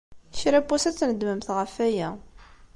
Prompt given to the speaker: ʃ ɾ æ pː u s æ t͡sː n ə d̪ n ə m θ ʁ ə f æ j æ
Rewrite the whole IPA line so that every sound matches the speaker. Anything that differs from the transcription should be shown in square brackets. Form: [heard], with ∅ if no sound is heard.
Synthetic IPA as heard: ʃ ɾ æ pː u s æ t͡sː n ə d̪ [m] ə m θ ʁ ə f æ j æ